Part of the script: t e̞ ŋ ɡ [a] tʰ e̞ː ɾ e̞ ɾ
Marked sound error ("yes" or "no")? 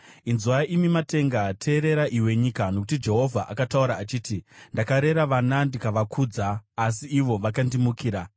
no